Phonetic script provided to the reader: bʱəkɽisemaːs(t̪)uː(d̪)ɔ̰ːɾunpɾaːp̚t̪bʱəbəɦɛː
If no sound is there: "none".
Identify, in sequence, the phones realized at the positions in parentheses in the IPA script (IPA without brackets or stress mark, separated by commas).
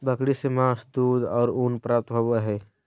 d̪, d̪